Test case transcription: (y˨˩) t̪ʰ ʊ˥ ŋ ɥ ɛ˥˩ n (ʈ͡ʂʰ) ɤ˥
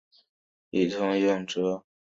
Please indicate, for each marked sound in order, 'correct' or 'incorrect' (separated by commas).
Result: incorrect, incorrect